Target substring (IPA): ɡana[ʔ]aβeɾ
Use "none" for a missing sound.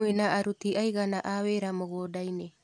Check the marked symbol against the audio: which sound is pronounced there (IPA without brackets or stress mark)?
ʔ